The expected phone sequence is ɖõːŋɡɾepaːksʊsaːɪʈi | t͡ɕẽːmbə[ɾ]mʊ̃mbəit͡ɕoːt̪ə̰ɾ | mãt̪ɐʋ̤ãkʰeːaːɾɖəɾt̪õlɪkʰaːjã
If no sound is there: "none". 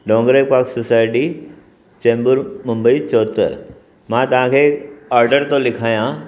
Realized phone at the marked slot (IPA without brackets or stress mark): ɾ